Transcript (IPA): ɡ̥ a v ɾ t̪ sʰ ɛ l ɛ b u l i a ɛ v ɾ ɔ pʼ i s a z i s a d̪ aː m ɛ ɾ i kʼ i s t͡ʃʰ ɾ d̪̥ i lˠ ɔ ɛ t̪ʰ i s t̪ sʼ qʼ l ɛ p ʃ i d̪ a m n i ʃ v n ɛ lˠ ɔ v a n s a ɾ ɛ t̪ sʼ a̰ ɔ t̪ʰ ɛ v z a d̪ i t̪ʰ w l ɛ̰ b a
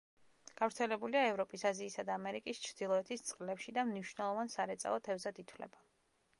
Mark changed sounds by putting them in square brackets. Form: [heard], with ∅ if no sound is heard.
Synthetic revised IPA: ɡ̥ a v ɾ t̪ sʰ ɛ l ɛ b u l i a ɛ v ɾ ɔ pʼ i s a z [iː] s a d̪ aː m ɛ ɾ i kʼ i s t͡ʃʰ ɾ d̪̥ i lˠ ɔ ɛ t̪ʰ i s t̪ sʼ qʼ l ɛ p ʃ i d̪ a m n i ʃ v n ɛ lˠ ɔ v a n s a ɾ ɛ t̪ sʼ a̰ ɔ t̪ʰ ɛ v z a d̪ i t̪ʰ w l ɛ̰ b a